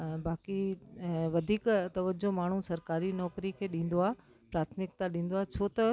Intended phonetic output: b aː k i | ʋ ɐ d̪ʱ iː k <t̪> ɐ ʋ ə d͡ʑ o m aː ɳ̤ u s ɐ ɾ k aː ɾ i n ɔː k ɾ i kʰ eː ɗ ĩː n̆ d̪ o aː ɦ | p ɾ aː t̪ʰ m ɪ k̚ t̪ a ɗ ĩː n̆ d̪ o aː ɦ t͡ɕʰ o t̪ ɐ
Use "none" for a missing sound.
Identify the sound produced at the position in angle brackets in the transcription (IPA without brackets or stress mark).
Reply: t̪